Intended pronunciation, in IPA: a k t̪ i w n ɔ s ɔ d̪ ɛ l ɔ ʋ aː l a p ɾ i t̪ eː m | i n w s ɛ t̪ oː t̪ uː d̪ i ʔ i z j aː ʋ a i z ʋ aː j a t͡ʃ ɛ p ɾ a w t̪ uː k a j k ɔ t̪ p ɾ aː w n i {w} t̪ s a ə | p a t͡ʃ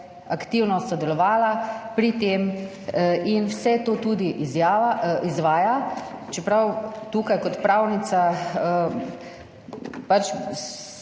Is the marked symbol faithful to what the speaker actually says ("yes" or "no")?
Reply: no